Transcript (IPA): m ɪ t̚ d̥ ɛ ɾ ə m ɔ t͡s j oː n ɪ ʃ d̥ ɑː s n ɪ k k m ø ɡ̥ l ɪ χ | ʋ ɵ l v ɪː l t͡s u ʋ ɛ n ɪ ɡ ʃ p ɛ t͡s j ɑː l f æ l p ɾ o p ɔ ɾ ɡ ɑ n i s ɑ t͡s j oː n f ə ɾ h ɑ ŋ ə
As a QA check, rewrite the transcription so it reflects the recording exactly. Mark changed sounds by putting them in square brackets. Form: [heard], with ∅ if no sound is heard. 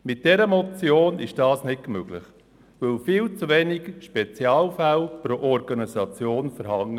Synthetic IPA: m ɪ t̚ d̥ ɛ ɾ ə m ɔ t͡s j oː n ɪ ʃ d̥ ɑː s n ɪ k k m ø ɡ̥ l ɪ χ | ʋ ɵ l [f] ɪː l t͡s u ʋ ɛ n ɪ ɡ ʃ p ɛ t͡s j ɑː l f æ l p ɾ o [ʔ] ɔ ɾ ɡ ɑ n i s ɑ t͡s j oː n f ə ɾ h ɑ ŋ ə

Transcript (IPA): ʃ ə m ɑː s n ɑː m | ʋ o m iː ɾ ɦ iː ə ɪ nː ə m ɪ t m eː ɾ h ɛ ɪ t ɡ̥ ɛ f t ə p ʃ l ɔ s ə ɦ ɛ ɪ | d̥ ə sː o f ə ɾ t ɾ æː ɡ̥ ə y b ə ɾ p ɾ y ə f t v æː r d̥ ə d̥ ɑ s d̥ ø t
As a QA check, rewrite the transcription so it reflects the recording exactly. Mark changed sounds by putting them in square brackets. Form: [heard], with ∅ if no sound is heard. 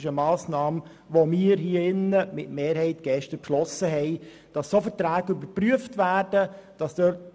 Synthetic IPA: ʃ ə m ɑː s n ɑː m | ʋ o m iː ɾ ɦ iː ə ɪ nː ə m ɪ t m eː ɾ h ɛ ɪ t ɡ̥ ɛ [ʃ] t ə p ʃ l ɔ s ə ɦ ɛ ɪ | d̥ [ɑ] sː o f ə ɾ t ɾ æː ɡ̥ ə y b ə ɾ p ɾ y ə f t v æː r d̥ ə d̥ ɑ s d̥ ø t

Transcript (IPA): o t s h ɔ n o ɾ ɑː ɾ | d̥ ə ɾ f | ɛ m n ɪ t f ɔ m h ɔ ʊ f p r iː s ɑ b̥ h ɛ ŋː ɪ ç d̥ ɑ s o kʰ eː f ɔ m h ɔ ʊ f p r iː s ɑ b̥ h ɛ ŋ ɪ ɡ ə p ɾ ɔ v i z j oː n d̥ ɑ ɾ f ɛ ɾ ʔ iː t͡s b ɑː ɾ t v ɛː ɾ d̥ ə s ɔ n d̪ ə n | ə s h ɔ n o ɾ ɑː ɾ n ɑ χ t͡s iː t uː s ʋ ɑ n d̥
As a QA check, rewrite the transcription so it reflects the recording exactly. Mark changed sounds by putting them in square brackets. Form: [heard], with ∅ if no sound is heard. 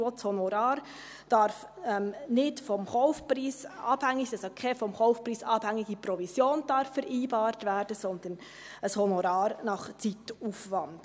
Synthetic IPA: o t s h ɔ n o ɾ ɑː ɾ | d̥ [ɑ] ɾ f | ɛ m n ɪ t f ɔ m h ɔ ʊ f p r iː s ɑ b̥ h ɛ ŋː ɪ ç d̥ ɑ s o kʰ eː f ɔ m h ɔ ʊ f p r iː s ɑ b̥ h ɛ ŋ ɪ ɡ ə p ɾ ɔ v i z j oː n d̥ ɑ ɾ f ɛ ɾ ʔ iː [∅] b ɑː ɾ t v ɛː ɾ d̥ ə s ɔ n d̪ ə n | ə s h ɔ n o ɾ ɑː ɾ n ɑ χ t͡s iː t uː [f] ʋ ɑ n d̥

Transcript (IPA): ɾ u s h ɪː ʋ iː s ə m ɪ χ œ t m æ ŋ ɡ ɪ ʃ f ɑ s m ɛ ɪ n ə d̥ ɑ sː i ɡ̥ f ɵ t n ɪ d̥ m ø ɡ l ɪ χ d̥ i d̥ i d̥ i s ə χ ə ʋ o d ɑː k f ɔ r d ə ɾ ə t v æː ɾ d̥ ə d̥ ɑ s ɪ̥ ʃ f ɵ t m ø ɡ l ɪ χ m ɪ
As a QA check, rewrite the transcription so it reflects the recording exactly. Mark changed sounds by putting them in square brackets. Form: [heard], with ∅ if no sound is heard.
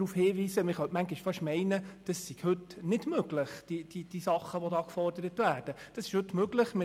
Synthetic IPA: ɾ u [f] h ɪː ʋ iː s ə m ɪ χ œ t m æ ŋ ɡ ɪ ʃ f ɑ [ʃ] m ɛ ɪ n ə d̥ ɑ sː i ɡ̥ [h] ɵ t n ɪ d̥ m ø ɡ l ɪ χ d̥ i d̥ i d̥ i s [ɑ] χ ə ʋ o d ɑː k f ɔ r d ə ɾ ə t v æː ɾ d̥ ə d̥ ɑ s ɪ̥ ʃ [h] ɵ t m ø ɡ l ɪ χ m ɪ

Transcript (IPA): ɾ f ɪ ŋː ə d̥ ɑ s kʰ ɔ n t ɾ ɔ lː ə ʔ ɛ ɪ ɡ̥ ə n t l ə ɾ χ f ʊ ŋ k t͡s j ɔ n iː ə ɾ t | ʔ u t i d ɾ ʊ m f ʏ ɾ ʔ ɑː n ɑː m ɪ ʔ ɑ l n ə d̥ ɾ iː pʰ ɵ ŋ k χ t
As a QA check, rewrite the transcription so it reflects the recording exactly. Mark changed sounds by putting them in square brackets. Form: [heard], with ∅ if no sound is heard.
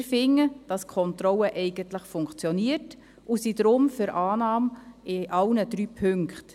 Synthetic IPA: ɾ f ɪ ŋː ə d̥ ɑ s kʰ ɔ n t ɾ ɔ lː ə ʔ ɛ ɪ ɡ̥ ə n t l ə [∅] χ f ʊ ŋ k t͡s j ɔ n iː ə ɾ t | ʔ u [s] i d ɾ ʊ m f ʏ ɾ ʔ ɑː n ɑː m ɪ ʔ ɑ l n ə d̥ ɾ [yː] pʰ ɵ ŋ k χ t

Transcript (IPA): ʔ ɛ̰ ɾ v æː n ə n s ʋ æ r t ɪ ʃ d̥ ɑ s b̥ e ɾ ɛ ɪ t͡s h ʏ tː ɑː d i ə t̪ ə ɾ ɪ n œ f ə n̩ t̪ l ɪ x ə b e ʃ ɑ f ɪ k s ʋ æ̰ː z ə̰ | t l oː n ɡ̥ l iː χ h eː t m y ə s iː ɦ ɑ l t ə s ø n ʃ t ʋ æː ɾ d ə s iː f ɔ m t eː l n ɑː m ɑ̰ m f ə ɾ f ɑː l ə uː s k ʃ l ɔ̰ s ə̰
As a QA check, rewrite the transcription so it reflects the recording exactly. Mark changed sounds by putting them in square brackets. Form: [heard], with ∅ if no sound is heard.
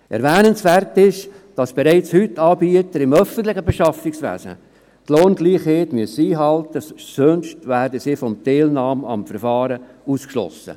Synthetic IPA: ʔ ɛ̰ ɾ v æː n ə n s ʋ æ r t ɪ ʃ d̥ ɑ s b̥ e ɾ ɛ ɪ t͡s h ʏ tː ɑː [b] i ə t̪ ə ɾ ɪ [m] œ f ə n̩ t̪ l ɪ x ə b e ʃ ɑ f ɪ k s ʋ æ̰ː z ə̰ | t l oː n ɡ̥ l iː χ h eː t m y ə s iː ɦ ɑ l t ə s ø n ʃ t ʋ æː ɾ d ə s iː f ɔ m t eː l n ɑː m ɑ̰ m f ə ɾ f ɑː [ɾ] ə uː s k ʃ l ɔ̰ s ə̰

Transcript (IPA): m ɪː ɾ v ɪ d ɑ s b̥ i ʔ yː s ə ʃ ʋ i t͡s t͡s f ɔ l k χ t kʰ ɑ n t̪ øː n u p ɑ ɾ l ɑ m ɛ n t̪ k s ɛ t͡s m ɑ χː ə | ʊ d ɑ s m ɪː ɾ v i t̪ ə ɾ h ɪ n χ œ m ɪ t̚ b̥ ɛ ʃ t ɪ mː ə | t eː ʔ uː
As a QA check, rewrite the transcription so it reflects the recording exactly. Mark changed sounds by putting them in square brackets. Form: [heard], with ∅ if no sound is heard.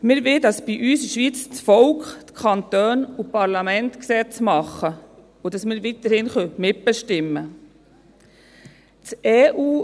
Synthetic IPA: m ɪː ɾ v ɪ d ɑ s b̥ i ʔ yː s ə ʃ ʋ i t͡s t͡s f ɔ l k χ t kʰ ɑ n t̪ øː n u p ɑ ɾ l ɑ m ɛ n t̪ k s ɛ t͡s m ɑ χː ə | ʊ d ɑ s m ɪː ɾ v i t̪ ə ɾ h ɪ n χ œ m ɪ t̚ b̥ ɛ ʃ t ɪ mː ə | [t͡s] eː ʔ uː

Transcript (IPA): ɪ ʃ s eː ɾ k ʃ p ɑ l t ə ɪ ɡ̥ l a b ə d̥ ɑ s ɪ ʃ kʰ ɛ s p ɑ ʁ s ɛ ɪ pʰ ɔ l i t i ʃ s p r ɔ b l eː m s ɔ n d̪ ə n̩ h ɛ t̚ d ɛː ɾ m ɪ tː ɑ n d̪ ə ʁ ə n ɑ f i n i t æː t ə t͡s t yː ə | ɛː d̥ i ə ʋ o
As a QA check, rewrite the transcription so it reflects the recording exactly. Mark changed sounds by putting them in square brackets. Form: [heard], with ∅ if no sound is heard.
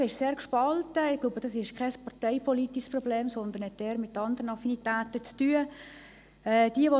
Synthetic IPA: ɪ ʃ s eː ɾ k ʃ p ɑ l t ə ɪ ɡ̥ l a b ə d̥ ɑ s ɪ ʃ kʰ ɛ s p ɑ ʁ [t] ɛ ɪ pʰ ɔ l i t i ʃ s p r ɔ b l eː m s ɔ n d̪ ə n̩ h ɛ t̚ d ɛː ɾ m ɪ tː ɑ n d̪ ə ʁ ə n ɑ f i n i t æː t ə t͡s t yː ə | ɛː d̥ i ə ʋ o

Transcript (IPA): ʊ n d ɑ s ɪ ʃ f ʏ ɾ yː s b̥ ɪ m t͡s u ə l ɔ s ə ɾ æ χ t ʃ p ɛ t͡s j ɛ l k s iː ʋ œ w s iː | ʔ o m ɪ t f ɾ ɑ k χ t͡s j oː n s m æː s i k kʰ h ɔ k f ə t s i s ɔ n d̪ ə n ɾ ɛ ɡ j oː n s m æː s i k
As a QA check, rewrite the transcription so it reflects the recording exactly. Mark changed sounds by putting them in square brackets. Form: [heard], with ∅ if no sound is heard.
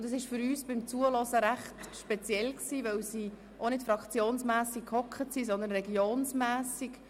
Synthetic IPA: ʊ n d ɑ s ɪ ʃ f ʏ ɾ yː s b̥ ɪ m t͡s u ə l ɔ s ə ɾ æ χ t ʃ p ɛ t͡s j ɛ l k s iː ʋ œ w s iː | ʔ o [n] ɪ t f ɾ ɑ k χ t͡s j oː n s m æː s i k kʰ h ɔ k [χ] ə t s i s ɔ n d̪ ə n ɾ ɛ ɡ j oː n s m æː s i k

